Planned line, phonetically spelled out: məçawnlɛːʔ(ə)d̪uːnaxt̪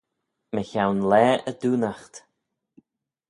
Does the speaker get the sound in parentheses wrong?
no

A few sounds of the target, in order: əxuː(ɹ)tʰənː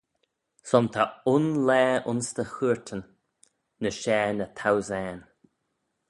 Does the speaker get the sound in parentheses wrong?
no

